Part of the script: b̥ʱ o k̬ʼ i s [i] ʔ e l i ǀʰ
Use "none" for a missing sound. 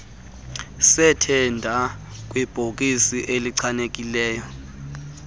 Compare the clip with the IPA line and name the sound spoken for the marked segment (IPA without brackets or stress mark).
i